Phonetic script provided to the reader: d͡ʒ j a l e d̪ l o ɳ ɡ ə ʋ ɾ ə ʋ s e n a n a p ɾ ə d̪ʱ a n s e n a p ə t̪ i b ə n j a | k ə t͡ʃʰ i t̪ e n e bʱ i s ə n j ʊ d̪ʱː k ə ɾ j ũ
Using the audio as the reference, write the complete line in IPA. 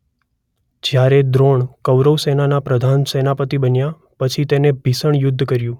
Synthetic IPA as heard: d͡ʒ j a ɾ e d̪ ɾ o ɳ k ə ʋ ɾ ə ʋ s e n a n a p ɾ ə d̪ʱ a n s e n a p ə t̪ i b ə n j a | p ə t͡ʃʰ i t̪ e n e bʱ i s ə ɳ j ʊ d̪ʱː k ə ɾ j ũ